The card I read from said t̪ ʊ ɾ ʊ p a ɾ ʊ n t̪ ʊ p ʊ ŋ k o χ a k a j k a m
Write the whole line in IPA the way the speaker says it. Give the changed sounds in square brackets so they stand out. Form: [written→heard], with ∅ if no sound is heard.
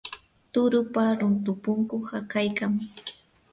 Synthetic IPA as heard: t̪ ʊ ɾ ʊ p a ɾ ʊ n t̪ ʊ p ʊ ŋ k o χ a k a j k a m